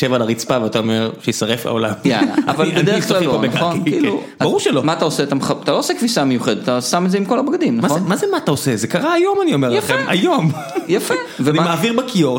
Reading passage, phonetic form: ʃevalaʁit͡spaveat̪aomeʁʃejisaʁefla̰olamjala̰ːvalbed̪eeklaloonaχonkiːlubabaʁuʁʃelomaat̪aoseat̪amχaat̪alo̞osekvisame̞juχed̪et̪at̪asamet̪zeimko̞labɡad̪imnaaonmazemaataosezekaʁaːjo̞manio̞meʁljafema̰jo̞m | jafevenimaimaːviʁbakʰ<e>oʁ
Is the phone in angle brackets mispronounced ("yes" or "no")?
yes